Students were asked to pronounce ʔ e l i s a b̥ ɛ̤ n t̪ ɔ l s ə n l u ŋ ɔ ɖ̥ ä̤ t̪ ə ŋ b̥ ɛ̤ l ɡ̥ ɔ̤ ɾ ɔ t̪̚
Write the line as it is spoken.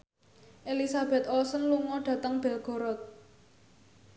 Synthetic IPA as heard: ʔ e l i s a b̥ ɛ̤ t̪ ɔ l s ə n l u ŋ ɔ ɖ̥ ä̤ t̪ ə ŋ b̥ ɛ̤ l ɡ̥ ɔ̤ ɾ ɔ t̪̚